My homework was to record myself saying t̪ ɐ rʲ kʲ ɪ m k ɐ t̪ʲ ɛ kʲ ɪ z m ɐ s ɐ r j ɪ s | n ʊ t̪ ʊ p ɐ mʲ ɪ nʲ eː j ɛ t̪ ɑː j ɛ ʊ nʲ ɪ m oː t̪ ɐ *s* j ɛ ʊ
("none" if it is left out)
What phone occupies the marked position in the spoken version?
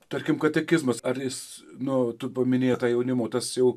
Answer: s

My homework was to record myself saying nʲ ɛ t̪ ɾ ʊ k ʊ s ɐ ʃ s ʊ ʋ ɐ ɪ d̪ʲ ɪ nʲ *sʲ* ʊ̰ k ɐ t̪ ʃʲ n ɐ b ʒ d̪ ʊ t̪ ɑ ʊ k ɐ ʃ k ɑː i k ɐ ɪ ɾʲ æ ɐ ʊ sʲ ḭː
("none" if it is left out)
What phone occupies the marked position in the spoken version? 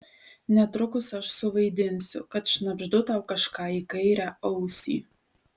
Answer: sʲ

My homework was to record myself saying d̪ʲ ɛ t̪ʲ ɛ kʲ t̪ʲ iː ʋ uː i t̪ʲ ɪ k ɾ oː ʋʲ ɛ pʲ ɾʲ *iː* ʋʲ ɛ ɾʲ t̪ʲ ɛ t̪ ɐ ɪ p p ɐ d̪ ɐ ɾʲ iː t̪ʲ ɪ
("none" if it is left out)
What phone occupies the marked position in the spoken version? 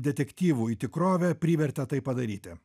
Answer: iː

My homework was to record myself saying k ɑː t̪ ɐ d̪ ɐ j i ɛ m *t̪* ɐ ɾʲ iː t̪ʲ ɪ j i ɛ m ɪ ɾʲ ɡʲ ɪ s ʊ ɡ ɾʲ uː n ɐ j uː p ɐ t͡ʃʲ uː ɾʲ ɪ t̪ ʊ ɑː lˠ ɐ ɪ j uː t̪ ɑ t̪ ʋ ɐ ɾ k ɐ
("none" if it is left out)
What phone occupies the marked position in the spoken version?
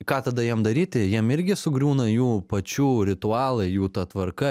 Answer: d̪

